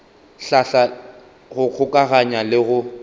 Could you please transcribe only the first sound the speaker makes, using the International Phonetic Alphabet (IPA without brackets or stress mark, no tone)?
ɬ